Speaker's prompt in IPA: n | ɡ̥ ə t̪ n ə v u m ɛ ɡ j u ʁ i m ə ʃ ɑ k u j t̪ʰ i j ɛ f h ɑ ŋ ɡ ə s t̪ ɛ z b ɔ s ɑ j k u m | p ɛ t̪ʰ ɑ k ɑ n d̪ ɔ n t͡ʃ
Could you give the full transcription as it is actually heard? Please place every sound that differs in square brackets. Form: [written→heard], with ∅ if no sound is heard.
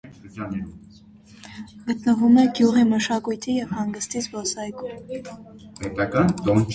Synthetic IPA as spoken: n | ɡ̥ ə t̪ n ə v u m ɛ ɡ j u ʁ i m ə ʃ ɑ k u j t̪ʰ i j ɛ [f→v] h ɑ ŋ ɡ ə s t̪ [ɛ→i] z b ɔ s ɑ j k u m | p ɛ [t̪ʰ→t̪] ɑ k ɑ n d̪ ɔ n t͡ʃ